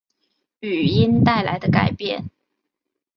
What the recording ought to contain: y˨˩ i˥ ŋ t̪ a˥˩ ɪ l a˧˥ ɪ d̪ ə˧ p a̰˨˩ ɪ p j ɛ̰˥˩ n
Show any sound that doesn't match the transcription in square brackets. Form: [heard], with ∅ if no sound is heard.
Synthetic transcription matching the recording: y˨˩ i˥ [n] t̪ a˥˩ ɪ l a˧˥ ɪ d̪ ə˧ [k] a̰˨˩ ɪ p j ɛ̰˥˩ n